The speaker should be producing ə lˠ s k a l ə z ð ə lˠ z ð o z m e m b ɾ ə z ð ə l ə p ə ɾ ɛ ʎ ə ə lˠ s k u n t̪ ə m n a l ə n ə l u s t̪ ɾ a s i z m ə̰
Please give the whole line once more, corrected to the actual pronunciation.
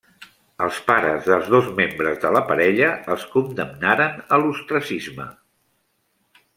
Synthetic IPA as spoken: ə lˠ s p a ɾ ə z ð ə lˠ z ð o z m e m b ɾ ə z ð ə l ə p ə ɾ ɛ ʎ ə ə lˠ s k u n d̪ ə m n a ɾ ə n ə l u s t̪ ɾ ə s i z m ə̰

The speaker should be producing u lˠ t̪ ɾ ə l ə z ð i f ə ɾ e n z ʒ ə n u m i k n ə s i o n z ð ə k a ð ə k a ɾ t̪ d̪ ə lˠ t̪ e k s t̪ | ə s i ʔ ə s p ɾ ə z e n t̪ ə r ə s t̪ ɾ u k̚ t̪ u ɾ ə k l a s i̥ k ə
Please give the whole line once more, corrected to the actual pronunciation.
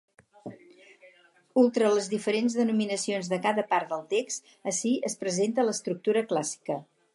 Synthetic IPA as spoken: u lˠ t̪ ɾ ə l ə z ð i f ə ɾ e n z ð ə n u m i n ə s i o n z ð ə k a ð ə p a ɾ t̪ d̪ ə lˠ t̪ e k s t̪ | ə s i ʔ ə s p ɾ ə z e n t̪ ə l ə s t̪ ɾ u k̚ t̪ u ɾ ə k l a s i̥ k ə

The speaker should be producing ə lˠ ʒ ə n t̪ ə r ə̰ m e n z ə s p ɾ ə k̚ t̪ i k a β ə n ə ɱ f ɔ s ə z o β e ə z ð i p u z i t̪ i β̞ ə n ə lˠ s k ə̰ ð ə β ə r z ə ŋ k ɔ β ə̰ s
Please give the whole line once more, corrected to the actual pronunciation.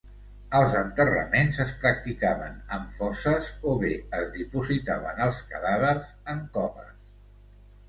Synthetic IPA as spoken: ə lˠ z ə n t̪ ə r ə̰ m e n z ə s p ɾ ə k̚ t̪ i k a β ə n ə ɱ f ɔ s ə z o β e ə z ð i p u z i t̪ a β̞ ə n ə lˠ s k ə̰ ð a β ə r z ə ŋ k ɔ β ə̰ s

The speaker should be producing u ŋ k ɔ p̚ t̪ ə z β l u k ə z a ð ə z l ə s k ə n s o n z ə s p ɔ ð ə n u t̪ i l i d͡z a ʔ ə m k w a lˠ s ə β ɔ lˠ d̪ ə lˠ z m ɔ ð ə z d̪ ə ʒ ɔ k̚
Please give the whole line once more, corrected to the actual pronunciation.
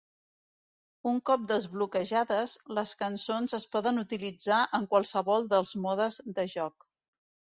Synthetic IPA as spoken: u ŋ k ɔ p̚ d̪ ə z β l u k ə ʒ a ð ə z l ə s k ə n s o n z ə s p ɔ ð ə n u t̪ i l i d͡z a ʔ ə ŋ k w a lˠ s ə β ɔ lˠ d̪ ə lˠ z m ɔ ð ə z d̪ ə ʒ ɔ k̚

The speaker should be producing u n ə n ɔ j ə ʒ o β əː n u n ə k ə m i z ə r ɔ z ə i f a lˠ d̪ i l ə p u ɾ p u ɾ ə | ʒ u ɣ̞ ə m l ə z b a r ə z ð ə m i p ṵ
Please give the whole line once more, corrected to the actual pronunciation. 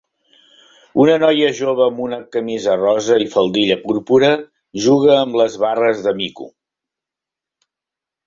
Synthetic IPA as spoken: u n ə n ɔ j ə ʒ o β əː m u n ə k ə m i z ə r ɔ z ə i f ə lˠ d̪ i ʎ ə p u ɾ p u ɾ ə | ʒ u ɣ̞ əː m l ə z β a r ə z ð ə m i k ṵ

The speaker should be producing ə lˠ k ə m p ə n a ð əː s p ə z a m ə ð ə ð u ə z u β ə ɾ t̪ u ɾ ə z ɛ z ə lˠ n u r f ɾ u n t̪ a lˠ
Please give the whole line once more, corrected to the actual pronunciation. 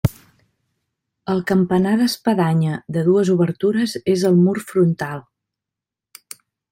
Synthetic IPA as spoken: ə lˠ k ə m p ə n a ð ə s p ə ð a ɲ ə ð ə ð u ə z u β ə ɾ t̪ u ɾ ə z e z ə lˠ m u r f ɾ u n t̪ a lˠ

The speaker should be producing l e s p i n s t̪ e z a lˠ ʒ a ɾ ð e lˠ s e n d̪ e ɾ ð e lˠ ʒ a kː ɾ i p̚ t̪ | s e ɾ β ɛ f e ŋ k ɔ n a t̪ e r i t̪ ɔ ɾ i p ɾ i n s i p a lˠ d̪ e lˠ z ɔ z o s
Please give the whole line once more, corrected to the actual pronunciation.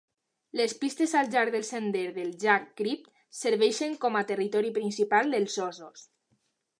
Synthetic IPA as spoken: l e s p i s t̪ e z a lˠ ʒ a ɾ ð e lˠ s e n d̪ e ɾ ð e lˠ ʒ a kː ɾ i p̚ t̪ | s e ɾ β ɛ ʃ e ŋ k ɔ m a t̪ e r i t̪ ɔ ɾ i p ɾ i n s i p a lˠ d̪ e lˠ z ɔ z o s

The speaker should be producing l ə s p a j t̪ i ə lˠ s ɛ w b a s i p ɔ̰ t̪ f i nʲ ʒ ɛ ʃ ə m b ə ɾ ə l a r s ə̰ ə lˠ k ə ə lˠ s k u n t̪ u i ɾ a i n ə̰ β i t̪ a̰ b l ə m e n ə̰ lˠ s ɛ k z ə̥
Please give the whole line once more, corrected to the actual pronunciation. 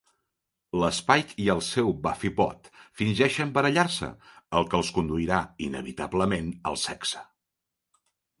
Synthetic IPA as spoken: l ə s p a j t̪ i ə lˠ s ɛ w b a f i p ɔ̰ t̪ f i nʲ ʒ ɛ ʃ ə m b ə ɾ ə ʎ a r s ə̰ ə lˠ k ə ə lˠ s k u n d̪ u i ɾ a i n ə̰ β i t̪ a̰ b l ə m e n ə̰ lˠ s ɛ k s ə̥

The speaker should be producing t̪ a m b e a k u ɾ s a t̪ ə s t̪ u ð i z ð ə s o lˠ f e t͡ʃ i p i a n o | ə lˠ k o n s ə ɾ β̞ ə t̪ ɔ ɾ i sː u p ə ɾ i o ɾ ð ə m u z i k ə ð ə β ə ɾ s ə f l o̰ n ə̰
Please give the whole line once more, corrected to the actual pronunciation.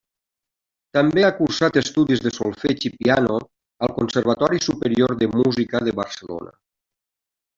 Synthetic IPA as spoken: t̪ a m b e a k u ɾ s a t̪ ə s t̪ u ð i z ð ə s o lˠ f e t͡ʃ i p i a n o | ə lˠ k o n s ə ɾ β̞ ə t̪ ɔ ɾ i s u p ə ɾ i o ɾ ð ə m u z i k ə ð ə β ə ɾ s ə l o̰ n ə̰

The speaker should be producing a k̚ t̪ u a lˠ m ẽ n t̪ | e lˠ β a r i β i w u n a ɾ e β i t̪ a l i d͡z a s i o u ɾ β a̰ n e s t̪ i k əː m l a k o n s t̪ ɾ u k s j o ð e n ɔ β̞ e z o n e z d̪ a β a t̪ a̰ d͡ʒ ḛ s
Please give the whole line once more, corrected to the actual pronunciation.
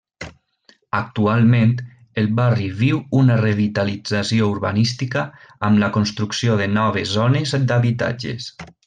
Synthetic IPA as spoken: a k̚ t̪ u a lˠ m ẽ n t̪ | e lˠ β a r i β i w u n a r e β i t̪ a l i d͡z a s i o u ɾ β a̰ n i s t̪ i k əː m l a k o n s t̪ ɾ u k s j o ð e n ɔ β̞ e z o n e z d̪ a β i t̪ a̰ d͡ʒ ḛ s

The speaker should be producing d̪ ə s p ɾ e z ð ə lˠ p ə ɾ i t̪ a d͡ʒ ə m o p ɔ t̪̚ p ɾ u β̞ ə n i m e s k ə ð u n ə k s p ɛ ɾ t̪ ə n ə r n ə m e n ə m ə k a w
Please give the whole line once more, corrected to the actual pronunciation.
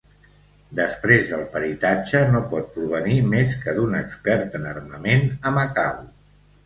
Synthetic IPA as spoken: d̪ ə s p ɾ e z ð ə lˠ p ə ɾ i t̪ a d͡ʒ ə n o p ɔ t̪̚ p ɾ u β̞ ə n i m e s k ə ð u n ə k s p ɛ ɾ t̪ ə n ə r m ə m e n ə m ə k a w

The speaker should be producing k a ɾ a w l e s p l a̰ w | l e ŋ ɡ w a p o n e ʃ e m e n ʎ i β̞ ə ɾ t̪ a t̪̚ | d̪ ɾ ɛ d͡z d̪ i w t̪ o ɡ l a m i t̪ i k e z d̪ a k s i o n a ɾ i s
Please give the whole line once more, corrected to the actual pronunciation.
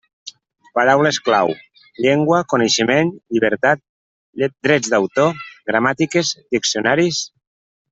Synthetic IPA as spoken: p a ɾ a w l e s k l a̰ w | ʎ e ŋ ɡ w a k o n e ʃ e m e n ʎ i β̞ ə ɾ t̪ a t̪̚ | d̪ ɾ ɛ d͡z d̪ a w t̪ o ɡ ɾ a m a t̪ i k e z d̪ i k s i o n a ɾ i s

